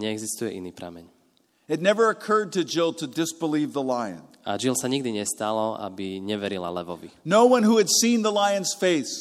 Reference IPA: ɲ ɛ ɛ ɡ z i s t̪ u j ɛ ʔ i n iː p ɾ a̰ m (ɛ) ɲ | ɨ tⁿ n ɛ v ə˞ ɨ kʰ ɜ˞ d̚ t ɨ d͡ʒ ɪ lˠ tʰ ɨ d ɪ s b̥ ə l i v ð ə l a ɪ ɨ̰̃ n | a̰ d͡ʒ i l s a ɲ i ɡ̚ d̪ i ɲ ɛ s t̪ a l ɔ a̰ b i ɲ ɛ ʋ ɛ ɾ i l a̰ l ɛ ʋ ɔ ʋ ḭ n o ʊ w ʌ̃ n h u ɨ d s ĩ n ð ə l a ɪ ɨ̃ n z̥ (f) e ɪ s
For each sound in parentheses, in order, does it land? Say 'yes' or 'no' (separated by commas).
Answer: yes, yes